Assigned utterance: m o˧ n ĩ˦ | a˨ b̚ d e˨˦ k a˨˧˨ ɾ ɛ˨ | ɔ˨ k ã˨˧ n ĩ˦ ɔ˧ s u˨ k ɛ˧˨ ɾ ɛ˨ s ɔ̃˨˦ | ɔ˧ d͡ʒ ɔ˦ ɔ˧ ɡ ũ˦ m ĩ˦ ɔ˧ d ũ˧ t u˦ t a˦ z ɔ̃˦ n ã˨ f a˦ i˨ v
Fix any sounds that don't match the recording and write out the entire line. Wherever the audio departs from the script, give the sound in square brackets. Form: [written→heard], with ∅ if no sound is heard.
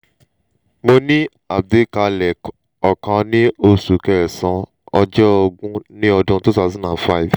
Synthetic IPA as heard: m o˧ n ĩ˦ | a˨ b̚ d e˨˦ k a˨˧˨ [ɾ→l] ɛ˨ | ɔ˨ k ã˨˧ n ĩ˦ [ɔ˧→o˧] s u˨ k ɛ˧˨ ɾ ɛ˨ s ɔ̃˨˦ | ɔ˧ d͡ʒ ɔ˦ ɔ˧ ɡ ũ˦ [m→n] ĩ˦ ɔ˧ d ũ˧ t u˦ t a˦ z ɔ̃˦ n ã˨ f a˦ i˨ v